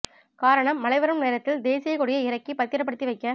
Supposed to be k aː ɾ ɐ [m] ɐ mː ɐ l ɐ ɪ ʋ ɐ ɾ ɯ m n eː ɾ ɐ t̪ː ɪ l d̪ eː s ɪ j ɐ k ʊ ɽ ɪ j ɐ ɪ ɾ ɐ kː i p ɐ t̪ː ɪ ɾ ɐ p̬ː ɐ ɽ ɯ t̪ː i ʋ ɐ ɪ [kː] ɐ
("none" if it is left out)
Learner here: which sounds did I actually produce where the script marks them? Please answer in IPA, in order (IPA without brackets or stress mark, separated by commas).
ɳ, kː